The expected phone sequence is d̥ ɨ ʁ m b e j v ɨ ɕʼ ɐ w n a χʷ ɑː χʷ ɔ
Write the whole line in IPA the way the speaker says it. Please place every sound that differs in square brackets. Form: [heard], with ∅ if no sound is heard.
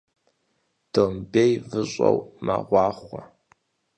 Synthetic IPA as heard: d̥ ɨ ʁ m b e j v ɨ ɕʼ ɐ w [m] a [ʁʷ] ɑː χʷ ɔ